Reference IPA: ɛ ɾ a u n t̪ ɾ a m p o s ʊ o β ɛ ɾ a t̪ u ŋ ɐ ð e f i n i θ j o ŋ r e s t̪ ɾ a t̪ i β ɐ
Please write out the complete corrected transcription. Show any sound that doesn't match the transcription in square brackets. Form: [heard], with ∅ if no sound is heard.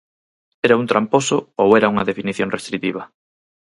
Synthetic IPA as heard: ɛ ɾ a u n t̪ ɾ a m p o s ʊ o [w] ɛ ɾ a [∅] u ŋ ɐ ð e f i n i θ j o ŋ r e s t̪ ɾ [i] t̪ i β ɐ